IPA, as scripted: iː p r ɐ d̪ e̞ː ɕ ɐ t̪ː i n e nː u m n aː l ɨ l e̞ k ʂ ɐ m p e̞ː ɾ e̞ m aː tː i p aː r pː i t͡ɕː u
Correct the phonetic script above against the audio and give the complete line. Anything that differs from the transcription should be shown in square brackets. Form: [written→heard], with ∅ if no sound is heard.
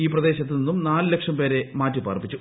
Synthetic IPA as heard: iː p r ɐ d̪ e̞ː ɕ ɐ t̪ː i n [e→i] nː u m n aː l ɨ l e̞ k ʂ ɐ m p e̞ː ɾ e̞ m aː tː i p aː r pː i t͡ɕː u